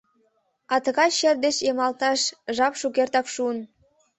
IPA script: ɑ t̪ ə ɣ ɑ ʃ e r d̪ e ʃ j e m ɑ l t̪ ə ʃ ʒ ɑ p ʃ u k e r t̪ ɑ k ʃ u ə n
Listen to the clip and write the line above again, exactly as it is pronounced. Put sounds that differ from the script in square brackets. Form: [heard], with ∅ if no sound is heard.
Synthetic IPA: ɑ t̪ ə ɣ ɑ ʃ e r d̪ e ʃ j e m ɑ l t̪ [ɑ] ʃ ʒ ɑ p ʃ u k e r t̪ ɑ k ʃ u ə n

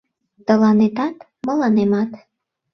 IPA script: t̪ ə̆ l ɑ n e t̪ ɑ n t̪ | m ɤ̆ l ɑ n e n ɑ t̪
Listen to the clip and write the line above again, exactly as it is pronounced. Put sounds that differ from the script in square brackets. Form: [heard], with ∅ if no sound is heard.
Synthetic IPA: t̪ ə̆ l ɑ n e t̪ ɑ [∅] t̪ | m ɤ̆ l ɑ n e [m] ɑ t̪

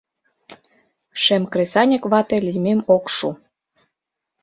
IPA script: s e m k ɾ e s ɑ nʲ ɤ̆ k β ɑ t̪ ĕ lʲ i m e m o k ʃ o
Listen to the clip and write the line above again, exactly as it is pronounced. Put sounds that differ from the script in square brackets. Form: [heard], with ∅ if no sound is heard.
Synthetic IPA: [ʃ] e m k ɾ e s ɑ nʲ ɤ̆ k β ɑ t̪ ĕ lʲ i m e m o k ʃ [u]

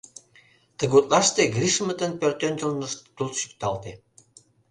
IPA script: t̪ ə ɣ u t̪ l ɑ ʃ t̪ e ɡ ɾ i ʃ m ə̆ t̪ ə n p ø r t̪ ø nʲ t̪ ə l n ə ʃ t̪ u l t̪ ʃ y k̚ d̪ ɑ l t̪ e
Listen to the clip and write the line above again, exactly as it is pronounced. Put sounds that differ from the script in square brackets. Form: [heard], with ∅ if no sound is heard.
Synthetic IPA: t̪ ə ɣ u t̪ l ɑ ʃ t̪ e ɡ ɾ i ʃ m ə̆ t̪ ə n p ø r t̪ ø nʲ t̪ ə l n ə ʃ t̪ u l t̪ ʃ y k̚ [t̪] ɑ l t̪ e

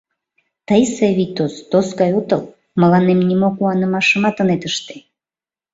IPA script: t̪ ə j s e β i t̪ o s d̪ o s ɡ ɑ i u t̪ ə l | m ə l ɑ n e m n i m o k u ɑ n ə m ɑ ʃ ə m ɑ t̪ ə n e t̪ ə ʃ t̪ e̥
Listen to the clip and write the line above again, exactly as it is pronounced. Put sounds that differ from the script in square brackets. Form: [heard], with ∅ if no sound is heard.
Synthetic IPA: t̪ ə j s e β i t̪ o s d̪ o s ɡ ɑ [j] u t̪ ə l | m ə l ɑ n e m n i m o k u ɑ n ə m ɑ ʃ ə m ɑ t̪ ə n e t̪ ə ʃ t̪ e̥

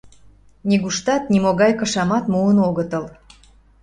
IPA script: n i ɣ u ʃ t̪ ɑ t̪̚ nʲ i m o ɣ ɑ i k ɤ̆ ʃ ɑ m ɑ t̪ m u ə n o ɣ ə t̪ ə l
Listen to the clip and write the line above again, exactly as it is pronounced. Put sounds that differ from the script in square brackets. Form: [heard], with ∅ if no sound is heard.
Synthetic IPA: n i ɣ u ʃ t̪ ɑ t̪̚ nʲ i m o ɣ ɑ [j] k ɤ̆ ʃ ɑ m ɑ t̪ m u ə n o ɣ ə t̪ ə l

